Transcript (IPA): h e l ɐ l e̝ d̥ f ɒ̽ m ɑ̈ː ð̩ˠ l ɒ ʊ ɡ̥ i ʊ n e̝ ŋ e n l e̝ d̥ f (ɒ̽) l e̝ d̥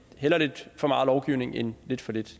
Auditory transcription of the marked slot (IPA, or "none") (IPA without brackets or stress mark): ɒ̽